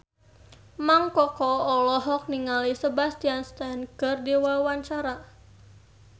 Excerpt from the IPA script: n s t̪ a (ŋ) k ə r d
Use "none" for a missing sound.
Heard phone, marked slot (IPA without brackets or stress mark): n